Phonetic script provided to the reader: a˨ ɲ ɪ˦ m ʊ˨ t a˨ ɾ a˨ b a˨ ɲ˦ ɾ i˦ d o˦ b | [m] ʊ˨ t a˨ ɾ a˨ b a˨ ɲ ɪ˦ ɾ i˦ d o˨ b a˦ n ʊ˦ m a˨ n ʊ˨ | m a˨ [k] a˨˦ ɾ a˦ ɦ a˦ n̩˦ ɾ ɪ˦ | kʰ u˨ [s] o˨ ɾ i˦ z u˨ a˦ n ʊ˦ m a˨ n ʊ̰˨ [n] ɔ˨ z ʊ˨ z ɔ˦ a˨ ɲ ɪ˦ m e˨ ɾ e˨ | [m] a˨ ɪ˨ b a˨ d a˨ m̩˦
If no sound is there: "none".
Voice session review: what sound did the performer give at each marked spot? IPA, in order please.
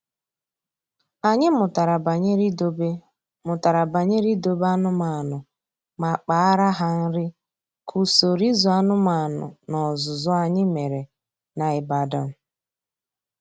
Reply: m, k͡p, s, n, n

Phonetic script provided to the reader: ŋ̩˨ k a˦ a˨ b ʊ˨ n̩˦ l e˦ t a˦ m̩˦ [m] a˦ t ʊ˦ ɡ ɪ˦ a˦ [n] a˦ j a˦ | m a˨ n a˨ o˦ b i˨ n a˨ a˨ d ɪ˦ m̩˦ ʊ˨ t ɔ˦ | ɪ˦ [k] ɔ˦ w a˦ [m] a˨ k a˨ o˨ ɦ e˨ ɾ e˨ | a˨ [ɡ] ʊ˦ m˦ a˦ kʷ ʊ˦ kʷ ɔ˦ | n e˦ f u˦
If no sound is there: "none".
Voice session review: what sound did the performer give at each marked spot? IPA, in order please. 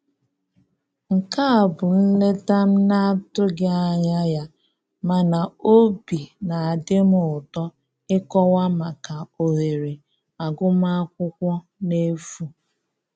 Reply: n, ɲ, k, m, ɡ

